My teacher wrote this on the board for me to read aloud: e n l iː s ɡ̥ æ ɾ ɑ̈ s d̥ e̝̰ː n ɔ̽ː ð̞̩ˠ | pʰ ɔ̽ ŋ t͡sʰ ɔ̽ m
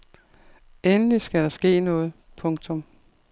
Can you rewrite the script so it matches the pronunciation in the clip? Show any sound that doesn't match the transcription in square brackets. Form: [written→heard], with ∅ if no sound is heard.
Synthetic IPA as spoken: e n l [iː→i] s ɡ̥ æ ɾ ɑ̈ s [d̥→ɡ̥] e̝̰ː n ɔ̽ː ð̞̩ˠ | pʰ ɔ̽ ŋ t͡sʰ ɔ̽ m